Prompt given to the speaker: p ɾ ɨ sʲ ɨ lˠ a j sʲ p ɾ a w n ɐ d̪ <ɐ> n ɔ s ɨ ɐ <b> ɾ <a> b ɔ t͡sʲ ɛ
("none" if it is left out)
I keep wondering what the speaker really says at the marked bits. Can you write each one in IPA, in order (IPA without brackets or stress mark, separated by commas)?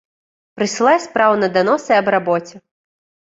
a, b, a